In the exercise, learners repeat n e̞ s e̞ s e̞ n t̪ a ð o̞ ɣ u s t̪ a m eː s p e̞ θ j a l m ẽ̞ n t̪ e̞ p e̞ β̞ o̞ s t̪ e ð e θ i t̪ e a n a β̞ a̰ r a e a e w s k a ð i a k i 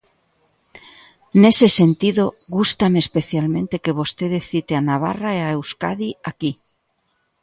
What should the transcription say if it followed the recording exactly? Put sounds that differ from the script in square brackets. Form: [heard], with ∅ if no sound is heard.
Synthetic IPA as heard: n e̞ s e̞ s e̞ n t̪ [i] ð o̞ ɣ u s t̪ a m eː s p e̞ θ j a l m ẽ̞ n t̪ e̞ [k] e̞ β̞ o̞ s t̪ e ð e θ i t̪ e a n a β̞ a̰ r a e a e w s k a ð i a k i

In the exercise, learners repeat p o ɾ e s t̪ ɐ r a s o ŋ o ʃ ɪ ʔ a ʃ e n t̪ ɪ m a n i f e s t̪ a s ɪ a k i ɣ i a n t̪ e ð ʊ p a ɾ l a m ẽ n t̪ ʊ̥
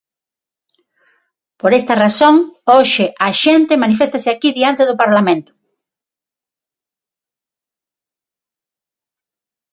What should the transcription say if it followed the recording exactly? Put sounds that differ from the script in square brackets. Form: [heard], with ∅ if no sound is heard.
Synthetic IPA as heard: p o ɾ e s t̪ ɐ r a s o ŋ o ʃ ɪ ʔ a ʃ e n t̪ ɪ m a n i f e s t̪ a s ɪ a k i [ð] i a n t̪ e ð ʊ p a ɾ l a m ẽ n t̪ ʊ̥

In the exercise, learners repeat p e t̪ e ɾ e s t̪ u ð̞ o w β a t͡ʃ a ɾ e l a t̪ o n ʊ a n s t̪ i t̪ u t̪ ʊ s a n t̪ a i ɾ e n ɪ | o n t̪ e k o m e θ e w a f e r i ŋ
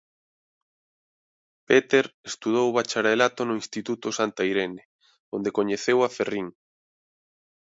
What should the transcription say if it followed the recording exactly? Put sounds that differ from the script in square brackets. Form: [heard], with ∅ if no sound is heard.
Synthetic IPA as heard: p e t̪ e ɾ e s t̪ u ð̞ o w β a t͡ʃ a ɾ e l a t̪ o n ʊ [i] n s t̪ i t̪ u t̪ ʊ s a n t̪ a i ɾ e n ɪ | o n [d̪] e k o [ɲ] e θ e w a f e r i ŋ

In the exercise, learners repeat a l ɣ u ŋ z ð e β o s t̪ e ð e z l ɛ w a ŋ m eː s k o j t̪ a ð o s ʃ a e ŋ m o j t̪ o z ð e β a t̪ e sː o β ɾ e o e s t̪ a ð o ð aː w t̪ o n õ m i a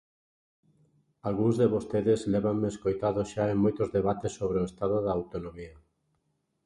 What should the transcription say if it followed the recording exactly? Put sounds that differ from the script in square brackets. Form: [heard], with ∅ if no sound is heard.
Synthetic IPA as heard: a l ɣ u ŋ z ð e β o s t̪ e ð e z l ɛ [β] a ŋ m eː s k o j t̪ a ð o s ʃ a e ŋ m o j t̪ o z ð e β a t̪ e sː o β ɾ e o e s t̪ a ð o ð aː w t̪ o n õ m i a

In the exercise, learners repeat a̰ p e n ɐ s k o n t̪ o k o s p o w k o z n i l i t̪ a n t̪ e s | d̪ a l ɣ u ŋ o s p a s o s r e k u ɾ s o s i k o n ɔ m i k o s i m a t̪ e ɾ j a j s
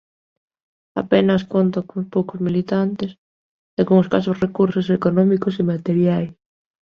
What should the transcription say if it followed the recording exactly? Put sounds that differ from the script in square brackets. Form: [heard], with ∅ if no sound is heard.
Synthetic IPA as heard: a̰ p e n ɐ s k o n t̪ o k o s p o w k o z [m] i l i t̪ a n t̪ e s | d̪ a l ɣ u ŋ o s [k] a s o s r e k u ɾ s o s [e] k o n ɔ m i k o s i m a t̪ e ɾ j a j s

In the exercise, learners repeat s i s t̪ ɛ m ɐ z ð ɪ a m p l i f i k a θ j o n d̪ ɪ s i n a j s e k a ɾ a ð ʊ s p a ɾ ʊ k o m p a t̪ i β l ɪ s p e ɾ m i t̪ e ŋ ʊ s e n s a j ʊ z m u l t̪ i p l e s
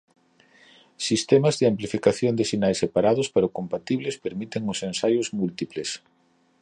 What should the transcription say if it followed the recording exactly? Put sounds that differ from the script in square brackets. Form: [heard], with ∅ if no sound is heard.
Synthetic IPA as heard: s i s t̪ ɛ m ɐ z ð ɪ a m p l i f i k a θ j o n d̪ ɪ s i n a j s e [p] a ɾ a ð ʊ s p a ɾ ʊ k o m p a t̪ i β l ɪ s p e ɾ m i t̪ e ŋ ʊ s e n s a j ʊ z m u l t̪ i p l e s

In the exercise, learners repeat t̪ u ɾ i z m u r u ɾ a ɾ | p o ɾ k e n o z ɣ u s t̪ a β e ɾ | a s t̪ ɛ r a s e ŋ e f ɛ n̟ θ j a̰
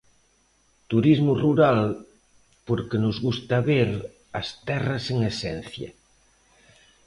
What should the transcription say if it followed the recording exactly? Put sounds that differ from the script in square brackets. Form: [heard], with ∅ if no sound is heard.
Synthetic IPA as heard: t̪ u ɾ i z m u r u ɾ a [l] | p o ɾ k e n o z ɣ u s t̪ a β e ɾ | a s t̪ ɛ r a s e ŋ e [s] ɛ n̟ θ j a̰

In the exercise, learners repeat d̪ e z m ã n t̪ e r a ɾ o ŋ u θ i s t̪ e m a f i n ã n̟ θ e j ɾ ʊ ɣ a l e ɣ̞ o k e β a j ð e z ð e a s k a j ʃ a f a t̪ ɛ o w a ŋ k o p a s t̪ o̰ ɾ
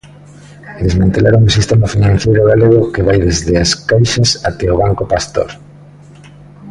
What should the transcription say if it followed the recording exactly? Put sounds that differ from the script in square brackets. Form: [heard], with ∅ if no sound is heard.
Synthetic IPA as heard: d̪ e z m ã n t̪ e [l] a ɾ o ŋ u [s] i s t̪ e m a f i n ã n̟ θ e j ɾ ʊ ɣ a l e ɣ̞ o k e β a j ð e z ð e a s k a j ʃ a [s] a t̪ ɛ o [β] a ŋ k o p a s t̪ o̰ ɾ

